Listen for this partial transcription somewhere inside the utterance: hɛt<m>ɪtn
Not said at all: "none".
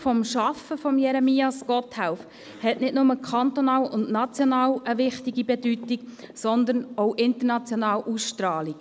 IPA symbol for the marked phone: n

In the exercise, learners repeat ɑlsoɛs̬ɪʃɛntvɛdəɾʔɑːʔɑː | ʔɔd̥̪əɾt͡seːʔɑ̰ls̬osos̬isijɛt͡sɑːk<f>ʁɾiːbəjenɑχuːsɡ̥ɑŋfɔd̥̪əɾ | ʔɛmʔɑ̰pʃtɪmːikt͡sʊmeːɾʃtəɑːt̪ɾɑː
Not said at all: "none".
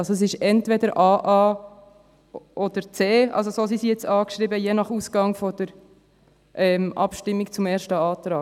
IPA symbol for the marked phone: ʃ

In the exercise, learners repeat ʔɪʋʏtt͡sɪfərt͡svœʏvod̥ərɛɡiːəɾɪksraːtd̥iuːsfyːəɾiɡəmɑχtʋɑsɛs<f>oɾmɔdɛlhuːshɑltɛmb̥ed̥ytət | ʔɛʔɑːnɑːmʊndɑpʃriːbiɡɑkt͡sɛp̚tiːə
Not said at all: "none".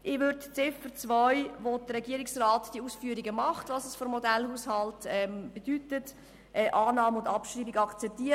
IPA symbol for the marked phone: f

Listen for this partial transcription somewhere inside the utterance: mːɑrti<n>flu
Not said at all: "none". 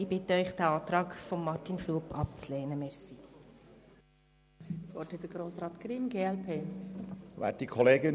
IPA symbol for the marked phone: n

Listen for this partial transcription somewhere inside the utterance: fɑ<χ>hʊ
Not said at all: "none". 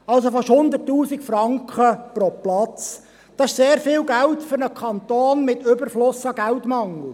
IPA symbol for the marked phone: ʃ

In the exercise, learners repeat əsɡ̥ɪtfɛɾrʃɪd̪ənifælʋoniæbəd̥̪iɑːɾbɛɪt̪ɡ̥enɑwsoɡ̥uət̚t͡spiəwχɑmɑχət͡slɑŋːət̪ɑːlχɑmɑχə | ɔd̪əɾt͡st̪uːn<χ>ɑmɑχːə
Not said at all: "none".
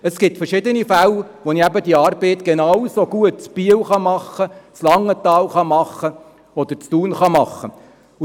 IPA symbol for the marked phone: χ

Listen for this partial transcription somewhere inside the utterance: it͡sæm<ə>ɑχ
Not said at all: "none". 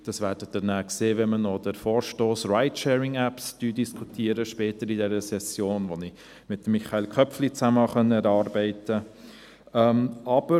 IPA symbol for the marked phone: ə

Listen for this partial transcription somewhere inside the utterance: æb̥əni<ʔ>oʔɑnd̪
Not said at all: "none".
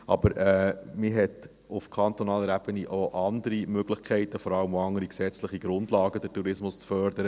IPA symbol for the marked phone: ʔ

